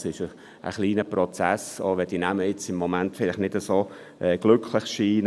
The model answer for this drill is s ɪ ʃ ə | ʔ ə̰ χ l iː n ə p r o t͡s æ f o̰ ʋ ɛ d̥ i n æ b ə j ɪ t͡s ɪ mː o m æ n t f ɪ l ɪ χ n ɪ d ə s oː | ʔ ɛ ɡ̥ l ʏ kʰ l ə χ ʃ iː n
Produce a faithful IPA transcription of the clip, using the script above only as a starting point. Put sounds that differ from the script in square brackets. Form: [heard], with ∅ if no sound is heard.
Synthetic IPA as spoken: s ɪ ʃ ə | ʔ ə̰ χ l iː n ə p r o t͡s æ [s] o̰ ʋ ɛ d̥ i n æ [m] ə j ɪ t͡s ɪ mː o m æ n t f ɪ l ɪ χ n ɪ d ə s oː | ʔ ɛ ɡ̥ l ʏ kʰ l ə χ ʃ iː n